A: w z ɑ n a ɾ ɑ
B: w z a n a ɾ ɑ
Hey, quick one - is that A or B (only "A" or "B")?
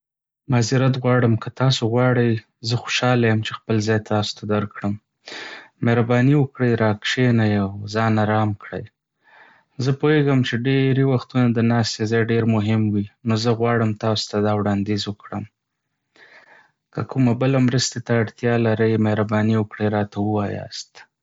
A